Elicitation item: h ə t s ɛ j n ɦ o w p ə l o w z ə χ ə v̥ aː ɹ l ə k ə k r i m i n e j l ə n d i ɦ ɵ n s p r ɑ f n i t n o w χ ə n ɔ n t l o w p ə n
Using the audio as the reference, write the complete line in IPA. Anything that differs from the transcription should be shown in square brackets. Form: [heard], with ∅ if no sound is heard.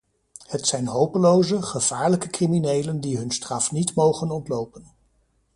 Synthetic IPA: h ə t s ɛ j n ɦ o w p ə l o w z ə χ ə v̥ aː ɹ l ə k ə k r i m i n e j l ə n d i ɦ ɵ n s [t] r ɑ f n i t [m] o w χ ə n ɔ n t l o w p ə n